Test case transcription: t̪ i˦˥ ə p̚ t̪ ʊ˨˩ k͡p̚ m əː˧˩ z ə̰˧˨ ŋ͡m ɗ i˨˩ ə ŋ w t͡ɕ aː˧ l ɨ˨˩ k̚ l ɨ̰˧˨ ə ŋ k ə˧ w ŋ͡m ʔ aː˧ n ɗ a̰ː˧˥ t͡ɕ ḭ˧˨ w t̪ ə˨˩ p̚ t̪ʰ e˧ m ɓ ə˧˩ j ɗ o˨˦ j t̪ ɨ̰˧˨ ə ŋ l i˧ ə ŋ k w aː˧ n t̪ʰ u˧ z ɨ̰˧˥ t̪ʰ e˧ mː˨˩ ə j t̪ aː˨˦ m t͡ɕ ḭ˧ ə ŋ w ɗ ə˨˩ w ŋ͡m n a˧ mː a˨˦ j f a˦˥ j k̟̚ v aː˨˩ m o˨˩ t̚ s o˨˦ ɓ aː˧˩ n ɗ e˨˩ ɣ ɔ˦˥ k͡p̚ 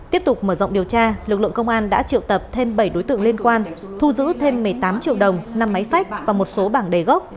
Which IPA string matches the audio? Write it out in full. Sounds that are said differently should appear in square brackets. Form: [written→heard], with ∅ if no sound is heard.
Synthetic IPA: t̪ i˦˥ ə p̚ t̪ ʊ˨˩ k͡p̚ m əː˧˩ z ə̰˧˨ ŋ͡m ɗ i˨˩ ə [ŋ→∅] w t͡ɕ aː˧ l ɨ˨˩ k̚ l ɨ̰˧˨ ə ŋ k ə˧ w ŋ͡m ʔ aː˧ n ɗ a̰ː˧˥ t͡ɕ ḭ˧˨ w t̪ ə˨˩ p̚ t̪ʰ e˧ m ɓ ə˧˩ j ɗ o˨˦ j t̪ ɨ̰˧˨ ə ŋ l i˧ ə [ŋ→n] k w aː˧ n t̪ʰ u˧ z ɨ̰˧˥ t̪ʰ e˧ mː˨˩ ə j t̪ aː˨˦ m t͡ɕ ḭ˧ ə [ŋ→∅] w ɗ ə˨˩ w ŋ͡m n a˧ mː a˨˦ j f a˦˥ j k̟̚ v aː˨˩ m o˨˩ t̚ s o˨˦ ɓ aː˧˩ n ɗ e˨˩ ɣ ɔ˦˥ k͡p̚